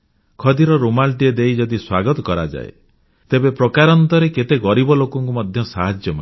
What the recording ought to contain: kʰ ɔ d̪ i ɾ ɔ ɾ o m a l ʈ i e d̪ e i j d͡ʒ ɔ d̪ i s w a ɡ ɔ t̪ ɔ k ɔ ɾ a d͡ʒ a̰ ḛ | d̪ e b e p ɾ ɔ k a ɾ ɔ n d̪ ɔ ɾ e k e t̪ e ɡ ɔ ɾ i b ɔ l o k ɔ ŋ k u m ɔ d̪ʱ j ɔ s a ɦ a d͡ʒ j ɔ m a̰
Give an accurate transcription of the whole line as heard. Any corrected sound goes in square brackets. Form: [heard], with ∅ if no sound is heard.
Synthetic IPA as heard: kʰ ɔ d̪ i ɾ ɔ ɾ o m a l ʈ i e d̪ e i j d͡ʒ ɔ d̪ i s w a ɡ ɔ t̪ ɔ k ɔ ɾ a d͡ʒ a̰ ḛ | [t̪] e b e p ɾ ɔ k a ɾ ɔ n [t̪] ɔ ɾ e k e t̪ e ɡ ɔ ɾ i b ɔ l o k ɔ ŋ k u m ɔ d̪ʱ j ɔ s a ɦ a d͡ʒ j ɔ m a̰

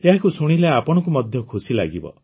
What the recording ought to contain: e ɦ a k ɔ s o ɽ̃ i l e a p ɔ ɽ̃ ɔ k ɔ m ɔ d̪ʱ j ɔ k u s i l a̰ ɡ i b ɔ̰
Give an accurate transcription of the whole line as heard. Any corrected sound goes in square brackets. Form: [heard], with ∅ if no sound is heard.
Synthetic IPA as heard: e ɦ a k [u] s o ɽ̃ i l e a p ɔ ɽ̃ ɔ k [u] m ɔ d̪ʱ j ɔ [kʰ] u s i l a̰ ɡ i b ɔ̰

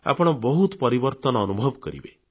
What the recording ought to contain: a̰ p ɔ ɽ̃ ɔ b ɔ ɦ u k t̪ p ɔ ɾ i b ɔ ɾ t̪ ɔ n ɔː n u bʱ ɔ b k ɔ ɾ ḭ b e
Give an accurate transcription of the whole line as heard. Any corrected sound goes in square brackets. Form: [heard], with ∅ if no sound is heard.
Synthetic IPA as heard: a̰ p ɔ ɽ̃ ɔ b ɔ ɦ u [∅] t̪ p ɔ ɾ i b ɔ ɾ t̪ ɔ n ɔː n u bʱ ɔ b k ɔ ɾ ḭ b e

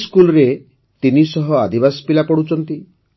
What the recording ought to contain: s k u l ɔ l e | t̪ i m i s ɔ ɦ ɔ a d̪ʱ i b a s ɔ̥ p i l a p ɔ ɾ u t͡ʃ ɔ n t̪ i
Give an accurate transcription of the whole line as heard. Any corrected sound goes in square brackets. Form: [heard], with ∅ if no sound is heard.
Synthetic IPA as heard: s k u l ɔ [ɾ] e | t̪ i [n] i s ɔ ɦ ɔ a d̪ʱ i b a s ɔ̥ p i l a p ɔ [ɽ] u t͡ʃ ɔ n t̪ i

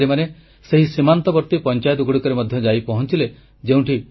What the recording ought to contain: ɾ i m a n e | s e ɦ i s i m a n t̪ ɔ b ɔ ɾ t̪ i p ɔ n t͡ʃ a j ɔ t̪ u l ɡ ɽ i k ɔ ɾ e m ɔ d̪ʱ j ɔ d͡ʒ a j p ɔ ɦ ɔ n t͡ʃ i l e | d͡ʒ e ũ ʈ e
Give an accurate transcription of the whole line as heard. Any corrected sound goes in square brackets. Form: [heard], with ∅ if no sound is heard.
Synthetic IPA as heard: ɾ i m a n e | s e ɦ i s i m a n t̪ ɔ b ɔ ɾ t̪ i p ɔ n t͡ʃ a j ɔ t̪ u [∅] ɡ ɽ i k ɔ ɾ e m ɔ d̪ʱ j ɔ d͡ʒ a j p ɔ ɦ ɔ n t͡ʃ i l e | d͡ʒ e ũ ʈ [i]

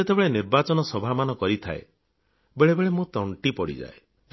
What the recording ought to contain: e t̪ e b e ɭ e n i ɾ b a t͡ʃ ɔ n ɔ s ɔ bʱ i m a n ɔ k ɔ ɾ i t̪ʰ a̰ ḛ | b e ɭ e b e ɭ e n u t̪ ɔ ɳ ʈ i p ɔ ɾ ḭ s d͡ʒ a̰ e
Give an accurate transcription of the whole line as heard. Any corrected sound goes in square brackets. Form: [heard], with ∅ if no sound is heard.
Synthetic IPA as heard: e t̪ e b e ɭ e n i ɾ b a t͡ʃ ɔ n ɔ s ɔ bʱ [a] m a n ɔ k ɔ ɾ i t̪ʰ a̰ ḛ | b e ɭ e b e ɭ e [m] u t̪ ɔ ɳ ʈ i p ɔ [ɽ] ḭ [∅] d͡ʒ a̰ e

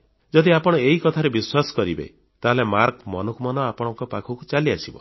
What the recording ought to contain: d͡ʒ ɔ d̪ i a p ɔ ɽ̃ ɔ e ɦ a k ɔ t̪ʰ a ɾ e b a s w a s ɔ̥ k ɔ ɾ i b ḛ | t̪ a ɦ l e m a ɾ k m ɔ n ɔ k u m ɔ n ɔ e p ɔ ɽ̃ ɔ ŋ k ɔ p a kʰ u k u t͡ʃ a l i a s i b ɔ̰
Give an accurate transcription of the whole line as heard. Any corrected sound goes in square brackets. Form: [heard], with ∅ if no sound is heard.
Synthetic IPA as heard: d͡ʒ ɔ d̪ i a p ɔ ɽ̃ ɔ e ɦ [i] k ɔ t̪ʰ a ɾ e b [i] s w a s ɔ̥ k ɔ ɾ i b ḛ | t̪ a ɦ l e m a ɾ k m ɔ n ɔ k u m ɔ n ɔ [a] p ɔ ɽ̃ ɔ ŋ k ɔ p a kʰ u k u t͡ʃ a l i a s i b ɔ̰

